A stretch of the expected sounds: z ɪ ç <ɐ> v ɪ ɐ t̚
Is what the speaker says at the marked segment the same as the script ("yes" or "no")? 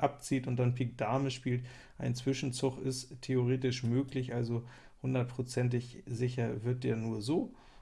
yes